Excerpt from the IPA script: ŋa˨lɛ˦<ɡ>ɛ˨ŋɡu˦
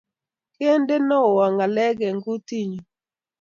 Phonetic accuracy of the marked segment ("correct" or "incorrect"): correct